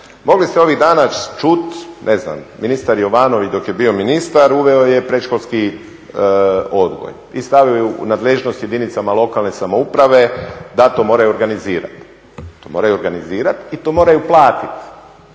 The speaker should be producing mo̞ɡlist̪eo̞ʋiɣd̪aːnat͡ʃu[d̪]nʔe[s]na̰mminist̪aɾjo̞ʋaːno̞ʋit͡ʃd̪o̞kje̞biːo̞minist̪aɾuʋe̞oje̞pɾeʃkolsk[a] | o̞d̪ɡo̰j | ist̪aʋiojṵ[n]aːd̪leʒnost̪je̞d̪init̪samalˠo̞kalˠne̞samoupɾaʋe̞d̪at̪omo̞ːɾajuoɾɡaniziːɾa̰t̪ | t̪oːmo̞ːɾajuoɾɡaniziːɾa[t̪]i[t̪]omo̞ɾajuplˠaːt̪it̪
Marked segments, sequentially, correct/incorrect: incorrect: t̪, incorrect: z, incorrect: i, correct, correct, correct

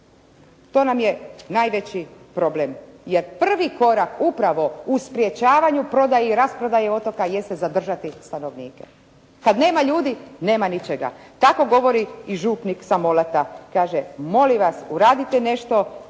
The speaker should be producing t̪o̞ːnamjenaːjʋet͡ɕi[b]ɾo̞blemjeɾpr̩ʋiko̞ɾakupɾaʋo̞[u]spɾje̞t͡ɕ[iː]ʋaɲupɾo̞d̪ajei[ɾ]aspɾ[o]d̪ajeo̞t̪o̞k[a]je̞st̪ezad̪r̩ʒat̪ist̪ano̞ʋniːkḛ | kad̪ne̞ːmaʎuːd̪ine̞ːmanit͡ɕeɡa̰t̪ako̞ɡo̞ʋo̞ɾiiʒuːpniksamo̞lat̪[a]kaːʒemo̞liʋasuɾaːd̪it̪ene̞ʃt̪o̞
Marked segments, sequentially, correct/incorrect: incorrect: p, correct, incorrect: aː, correct, correct, correct, correct

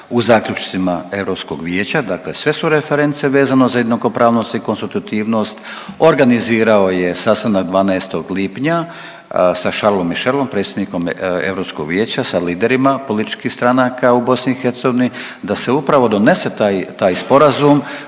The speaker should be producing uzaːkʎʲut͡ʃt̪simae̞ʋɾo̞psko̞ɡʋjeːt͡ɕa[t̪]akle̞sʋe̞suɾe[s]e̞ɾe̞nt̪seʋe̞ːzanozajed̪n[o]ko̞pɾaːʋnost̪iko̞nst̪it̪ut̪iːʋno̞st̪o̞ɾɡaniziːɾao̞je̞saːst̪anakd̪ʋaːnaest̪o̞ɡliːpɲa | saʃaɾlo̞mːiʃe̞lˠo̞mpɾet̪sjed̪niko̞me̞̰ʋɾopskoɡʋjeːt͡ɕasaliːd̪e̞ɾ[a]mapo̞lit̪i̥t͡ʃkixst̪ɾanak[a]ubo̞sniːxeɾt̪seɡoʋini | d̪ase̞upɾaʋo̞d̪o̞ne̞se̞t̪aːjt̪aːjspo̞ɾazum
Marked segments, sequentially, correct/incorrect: incorrect: d̪, incorrect: f, correct, incorrect: i, correct

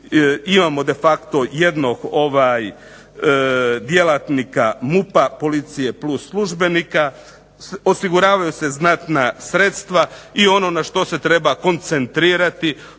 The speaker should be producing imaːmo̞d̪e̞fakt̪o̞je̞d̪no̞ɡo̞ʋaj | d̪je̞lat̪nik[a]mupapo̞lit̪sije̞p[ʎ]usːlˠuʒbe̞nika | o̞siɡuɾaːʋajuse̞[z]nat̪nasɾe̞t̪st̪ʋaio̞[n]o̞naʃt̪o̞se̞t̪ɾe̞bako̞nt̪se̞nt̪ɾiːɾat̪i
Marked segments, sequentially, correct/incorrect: correct, incorrect: l, correct, correct

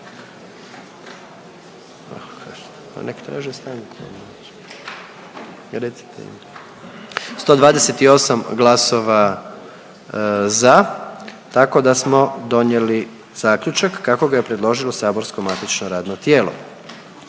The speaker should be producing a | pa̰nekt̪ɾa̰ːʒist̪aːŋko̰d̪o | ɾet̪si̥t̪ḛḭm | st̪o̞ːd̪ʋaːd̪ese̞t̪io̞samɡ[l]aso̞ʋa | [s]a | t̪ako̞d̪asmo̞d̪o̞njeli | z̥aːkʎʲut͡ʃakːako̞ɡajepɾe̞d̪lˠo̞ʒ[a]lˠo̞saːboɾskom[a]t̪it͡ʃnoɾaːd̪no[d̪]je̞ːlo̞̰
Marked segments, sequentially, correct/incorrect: correct, incorrect: z, incorrect: i, correct, incorrect: t̪

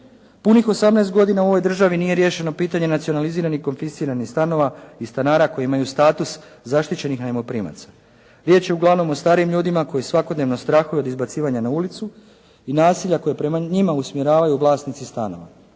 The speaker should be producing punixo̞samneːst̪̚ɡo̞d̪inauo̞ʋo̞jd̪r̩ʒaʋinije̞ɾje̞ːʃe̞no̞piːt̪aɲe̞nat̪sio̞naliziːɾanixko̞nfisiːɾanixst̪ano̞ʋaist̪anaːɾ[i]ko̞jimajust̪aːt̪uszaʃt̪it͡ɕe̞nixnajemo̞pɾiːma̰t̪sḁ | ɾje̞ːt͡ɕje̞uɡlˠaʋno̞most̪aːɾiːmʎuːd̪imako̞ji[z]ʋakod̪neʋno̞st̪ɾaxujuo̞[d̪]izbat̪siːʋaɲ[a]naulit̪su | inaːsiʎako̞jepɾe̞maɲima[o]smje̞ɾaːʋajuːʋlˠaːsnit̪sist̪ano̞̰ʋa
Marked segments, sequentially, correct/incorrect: incorrect: a, incorrect: s, correct, correct, incorrect: u

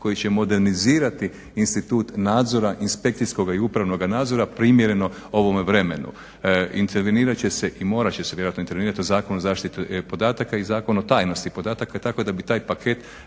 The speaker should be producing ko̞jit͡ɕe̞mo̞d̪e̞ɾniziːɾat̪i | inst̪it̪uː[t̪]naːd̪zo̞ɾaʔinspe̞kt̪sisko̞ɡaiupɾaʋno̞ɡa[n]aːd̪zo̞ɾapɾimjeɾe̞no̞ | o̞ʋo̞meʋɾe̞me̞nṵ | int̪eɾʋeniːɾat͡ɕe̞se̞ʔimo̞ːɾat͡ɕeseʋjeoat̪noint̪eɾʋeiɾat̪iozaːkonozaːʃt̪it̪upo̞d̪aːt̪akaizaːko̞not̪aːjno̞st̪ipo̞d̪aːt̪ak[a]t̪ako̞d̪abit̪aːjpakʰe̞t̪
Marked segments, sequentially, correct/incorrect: correct, correct, correct

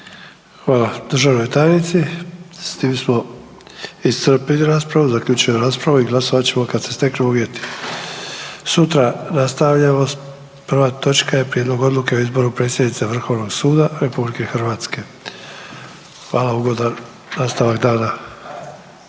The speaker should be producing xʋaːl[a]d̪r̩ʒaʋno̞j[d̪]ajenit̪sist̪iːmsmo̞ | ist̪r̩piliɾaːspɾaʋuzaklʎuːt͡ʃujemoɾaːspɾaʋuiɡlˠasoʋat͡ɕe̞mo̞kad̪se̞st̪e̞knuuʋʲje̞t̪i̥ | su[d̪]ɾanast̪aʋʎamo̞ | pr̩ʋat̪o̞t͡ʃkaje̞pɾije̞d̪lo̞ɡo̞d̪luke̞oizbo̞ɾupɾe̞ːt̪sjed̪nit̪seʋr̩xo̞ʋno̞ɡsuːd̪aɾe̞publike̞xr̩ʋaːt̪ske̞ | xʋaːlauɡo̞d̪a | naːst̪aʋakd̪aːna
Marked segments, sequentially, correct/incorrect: correct, incorrect: t̪, incorrect: t̪

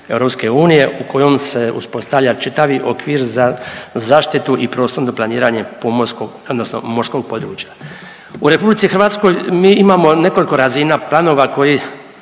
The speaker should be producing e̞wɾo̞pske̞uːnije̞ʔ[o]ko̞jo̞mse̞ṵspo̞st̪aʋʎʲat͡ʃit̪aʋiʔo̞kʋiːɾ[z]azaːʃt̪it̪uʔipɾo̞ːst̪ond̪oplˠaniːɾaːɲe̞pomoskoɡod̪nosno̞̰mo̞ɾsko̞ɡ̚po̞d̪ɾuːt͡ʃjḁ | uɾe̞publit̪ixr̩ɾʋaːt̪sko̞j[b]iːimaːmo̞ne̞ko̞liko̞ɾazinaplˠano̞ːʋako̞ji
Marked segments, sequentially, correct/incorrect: incorrect: u, correct, incorrect: m

